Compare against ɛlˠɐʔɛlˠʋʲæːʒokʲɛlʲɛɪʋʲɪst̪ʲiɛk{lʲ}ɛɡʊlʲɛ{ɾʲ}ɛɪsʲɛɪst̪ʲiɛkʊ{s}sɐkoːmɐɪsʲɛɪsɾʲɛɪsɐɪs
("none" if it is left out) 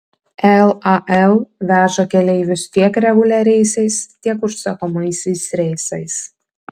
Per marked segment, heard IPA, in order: ɾʲ, ɾʲ, ʃ

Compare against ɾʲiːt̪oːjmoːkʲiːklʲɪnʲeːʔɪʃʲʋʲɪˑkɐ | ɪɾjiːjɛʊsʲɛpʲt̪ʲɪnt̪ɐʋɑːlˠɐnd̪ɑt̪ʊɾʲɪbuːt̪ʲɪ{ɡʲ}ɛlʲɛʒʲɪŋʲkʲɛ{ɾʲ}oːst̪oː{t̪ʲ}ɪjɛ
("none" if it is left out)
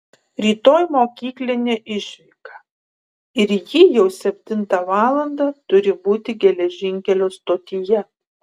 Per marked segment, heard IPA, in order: ɡʲ, lʲ, t̪ʲ

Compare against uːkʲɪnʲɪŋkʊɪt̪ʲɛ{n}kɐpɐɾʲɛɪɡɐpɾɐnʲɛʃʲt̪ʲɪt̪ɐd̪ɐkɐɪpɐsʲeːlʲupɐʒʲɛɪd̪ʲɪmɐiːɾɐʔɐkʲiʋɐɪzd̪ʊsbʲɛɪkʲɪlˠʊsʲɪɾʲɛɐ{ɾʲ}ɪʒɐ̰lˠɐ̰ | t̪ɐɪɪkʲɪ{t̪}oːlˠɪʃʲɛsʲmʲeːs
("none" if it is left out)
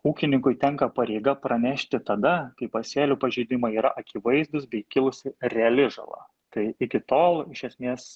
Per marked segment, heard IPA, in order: ŋ, lʲ, t̪

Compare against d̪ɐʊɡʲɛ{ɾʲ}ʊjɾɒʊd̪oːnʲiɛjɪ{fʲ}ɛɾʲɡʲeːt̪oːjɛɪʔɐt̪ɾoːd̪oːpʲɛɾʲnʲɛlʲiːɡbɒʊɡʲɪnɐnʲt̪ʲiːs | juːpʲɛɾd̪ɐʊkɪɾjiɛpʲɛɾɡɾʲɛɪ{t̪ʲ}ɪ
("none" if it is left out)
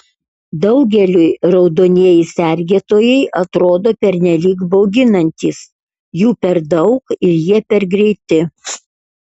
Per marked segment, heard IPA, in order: lʲ, sʲ, t̪ʲ

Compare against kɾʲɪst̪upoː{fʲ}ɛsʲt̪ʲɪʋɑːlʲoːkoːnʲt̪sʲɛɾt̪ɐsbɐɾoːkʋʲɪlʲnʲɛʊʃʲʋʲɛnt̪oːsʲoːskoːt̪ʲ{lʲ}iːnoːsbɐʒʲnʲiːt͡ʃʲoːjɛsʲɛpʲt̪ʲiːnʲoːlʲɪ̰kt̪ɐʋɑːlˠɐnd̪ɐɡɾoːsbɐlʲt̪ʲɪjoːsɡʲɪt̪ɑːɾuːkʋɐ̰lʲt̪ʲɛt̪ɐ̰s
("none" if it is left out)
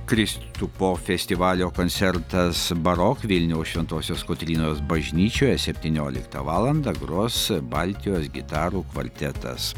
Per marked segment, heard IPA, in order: fʲ, ɾʲ

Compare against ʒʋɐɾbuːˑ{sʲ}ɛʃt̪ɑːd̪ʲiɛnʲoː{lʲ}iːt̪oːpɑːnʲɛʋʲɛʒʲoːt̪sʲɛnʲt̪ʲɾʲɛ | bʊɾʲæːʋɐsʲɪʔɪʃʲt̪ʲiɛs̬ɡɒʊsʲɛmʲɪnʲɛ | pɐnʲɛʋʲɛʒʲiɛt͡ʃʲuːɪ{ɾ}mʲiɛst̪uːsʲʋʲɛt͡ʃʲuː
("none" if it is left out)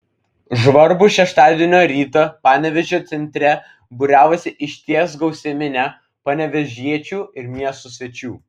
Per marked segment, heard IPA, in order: ʃʲ, ɾʲ, ɾ

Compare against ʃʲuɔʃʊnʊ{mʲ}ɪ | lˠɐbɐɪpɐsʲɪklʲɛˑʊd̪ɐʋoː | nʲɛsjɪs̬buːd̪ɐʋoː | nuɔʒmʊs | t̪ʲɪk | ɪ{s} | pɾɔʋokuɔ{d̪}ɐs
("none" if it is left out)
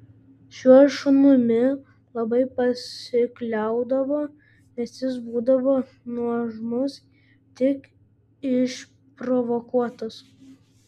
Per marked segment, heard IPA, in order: mʲ, ʃ, t̪

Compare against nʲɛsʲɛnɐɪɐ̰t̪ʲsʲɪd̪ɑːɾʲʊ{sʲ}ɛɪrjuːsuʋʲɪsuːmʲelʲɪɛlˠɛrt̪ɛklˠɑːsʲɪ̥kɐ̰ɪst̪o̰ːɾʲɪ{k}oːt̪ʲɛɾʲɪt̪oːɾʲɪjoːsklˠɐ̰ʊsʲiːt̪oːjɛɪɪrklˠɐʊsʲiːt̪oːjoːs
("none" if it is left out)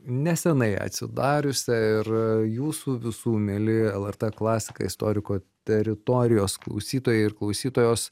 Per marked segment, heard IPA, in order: sʲ, k

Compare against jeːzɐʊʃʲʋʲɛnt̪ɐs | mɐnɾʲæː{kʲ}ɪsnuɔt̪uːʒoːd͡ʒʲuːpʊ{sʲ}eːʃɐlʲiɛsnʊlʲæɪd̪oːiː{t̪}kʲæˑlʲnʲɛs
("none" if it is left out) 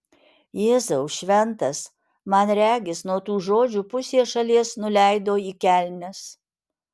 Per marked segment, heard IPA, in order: ɡʲ, sʲ, none

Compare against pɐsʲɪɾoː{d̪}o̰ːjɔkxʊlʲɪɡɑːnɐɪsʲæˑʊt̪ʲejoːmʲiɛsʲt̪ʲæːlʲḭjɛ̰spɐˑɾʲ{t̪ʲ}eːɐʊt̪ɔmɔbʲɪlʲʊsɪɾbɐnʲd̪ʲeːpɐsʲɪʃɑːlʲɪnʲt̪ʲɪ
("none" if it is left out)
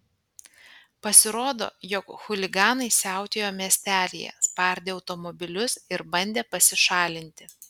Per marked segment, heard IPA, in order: d̪, d̪ʲ

